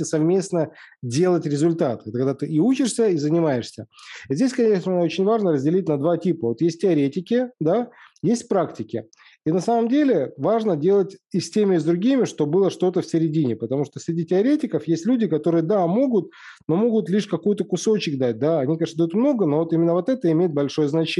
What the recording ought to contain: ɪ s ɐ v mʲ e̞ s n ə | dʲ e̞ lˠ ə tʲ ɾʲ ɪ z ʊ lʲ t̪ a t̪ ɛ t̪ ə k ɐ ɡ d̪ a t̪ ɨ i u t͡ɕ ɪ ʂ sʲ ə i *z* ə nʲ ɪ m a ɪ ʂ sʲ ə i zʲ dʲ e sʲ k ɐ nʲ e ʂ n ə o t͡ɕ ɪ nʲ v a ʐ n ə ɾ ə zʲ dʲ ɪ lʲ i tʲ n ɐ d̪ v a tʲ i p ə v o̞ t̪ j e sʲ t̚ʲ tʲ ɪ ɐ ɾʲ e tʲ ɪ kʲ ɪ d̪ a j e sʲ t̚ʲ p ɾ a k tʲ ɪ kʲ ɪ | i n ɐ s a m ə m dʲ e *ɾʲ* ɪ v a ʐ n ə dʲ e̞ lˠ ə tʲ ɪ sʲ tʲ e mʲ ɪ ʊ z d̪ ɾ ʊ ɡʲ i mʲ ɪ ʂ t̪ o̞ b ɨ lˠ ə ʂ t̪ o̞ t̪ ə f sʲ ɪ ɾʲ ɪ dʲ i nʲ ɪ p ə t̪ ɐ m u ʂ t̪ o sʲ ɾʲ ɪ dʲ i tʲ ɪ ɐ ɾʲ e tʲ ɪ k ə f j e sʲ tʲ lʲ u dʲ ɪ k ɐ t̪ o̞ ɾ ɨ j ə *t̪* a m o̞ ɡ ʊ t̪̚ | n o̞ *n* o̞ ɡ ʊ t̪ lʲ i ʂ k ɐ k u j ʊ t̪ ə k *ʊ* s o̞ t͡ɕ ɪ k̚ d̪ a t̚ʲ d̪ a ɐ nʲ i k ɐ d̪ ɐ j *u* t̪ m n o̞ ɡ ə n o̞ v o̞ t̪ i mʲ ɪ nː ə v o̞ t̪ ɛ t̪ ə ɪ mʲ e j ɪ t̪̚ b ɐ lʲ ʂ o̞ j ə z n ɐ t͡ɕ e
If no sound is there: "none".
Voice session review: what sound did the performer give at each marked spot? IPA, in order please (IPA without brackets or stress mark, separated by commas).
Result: z, lʲ, d̪, m, ʊ, u